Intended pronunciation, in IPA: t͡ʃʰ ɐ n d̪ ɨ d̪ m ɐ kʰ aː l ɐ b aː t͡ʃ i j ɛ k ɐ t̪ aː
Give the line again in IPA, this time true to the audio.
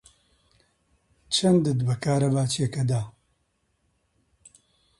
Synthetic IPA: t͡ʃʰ ɐ n d̪ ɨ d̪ b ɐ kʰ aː ɾ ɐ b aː t͡ʃ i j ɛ k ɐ d̪ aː

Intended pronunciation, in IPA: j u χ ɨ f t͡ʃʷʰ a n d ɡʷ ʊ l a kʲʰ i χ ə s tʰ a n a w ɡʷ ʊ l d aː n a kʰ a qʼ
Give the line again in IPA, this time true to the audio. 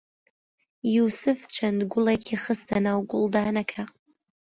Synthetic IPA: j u s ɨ f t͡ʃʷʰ a n d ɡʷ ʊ l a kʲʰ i χ ə s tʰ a n a w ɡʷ ʊ l d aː n a kʰ a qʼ

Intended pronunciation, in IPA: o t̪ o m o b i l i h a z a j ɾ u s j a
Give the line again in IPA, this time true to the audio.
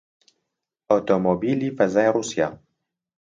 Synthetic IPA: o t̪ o m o b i l i f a z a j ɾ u s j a

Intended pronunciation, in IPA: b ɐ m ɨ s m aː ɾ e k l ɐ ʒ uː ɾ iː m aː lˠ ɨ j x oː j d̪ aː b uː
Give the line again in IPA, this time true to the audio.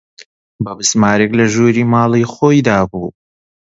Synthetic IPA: b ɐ b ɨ s m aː ɾ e k l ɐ ʒ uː ɾ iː m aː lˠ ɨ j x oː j d̪ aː b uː

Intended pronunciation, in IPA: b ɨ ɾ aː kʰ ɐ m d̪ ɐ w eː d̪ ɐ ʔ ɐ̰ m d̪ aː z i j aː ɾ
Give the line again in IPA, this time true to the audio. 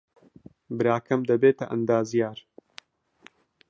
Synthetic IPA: b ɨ ɾ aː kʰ ɐ m d̪ ɐ b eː t̪ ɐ ʔ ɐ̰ n d̪ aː z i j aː ɾ

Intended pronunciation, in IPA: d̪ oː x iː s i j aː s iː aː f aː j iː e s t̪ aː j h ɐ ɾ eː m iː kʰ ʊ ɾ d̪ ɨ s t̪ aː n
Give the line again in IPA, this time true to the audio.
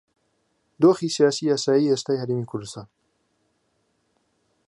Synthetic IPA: d̪ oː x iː s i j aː s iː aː s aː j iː e s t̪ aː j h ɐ ɾ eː m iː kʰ ʊ ɾ d̪ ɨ s t̪ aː n

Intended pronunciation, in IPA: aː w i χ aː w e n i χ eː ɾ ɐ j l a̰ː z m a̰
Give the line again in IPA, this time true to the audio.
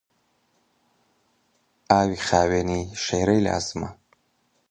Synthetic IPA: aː w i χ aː w e n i ʃ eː ɾ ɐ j l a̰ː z m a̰

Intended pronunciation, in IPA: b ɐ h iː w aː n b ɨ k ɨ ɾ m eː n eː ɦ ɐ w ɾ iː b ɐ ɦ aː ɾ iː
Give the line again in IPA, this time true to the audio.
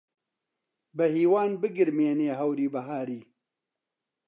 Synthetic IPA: b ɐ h iː w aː n b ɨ ɡ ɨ ɾ m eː n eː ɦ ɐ w ɾ iː b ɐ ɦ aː ɾ iː

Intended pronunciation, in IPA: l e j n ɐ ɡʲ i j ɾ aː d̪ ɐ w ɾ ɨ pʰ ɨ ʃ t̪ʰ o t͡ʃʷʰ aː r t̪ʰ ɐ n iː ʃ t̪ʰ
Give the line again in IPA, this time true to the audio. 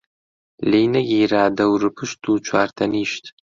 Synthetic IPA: l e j n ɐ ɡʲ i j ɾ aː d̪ ɐ w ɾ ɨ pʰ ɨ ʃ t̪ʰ u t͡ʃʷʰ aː r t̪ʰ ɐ n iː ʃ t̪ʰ

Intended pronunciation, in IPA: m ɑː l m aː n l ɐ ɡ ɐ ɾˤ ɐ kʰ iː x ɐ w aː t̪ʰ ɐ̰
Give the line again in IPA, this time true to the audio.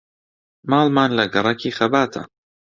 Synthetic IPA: m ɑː l m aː n l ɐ ɡ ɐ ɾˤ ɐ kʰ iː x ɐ b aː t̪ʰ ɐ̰

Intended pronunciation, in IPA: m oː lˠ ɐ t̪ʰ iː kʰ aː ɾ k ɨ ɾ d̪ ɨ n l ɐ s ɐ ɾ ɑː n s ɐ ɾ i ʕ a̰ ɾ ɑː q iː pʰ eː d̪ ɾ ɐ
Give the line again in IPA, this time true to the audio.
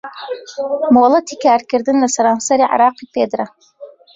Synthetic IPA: m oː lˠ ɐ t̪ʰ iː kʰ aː ɾ k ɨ ɾ d̪ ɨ n l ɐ s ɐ ɾ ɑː n s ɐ ɾ i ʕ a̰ ɾ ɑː q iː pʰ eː d̪ ɾ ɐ

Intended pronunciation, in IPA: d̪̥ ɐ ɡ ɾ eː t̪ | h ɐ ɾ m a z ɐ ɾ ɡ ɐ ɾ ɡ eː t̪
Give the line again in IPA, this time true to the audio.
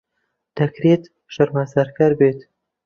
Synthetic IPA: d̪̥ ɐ k ɾ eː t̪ | ʃ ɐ ɾ m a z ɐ ɾ k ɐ ɾ b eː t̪

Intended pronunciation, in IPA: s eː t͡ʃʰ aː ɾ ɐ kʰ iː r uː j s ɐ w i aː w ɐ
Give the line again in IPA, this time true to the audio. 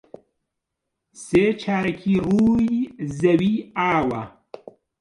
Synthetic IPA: s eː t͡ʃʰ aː ɾ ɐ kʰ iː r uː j z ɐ w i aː w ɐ

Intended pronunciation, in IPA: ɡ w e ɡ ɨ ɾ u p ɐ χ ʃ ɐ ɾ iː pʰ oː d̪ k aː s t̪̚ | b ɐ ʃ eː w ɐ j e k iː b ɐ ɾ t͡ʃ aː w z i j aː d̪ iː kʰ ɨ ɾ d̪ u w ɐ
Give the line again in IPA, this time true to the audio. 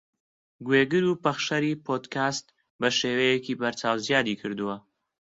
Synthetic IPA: ɡ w e ɡ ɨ ɾ u p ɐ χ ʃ ɐ ɾ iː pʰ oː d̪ k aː s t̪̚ | b ɐ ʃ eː w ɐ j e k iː b ɐ ɾ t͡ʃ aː w z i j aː d̪ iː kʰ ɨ ɾ d̪ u w ɐ

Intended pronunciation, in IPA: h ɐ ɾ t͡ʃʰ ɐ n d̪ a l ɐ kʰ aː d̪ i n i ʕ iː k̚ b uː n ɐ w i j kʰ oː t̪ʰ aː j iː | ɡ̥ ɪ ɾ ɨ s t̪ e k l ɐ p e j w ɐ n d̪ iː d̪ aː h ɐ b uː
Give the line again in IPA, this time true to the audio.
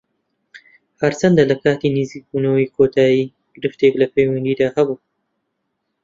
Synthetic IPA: h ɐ ɾ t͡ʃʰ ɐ n d̪ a l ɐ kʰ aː t̪ i n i z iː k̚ b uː n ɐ w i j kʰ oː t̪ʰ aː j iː | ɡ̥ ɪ ɾ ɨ f t̪ e k l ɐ p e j w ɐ n d̪ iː d̪ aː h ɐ b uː

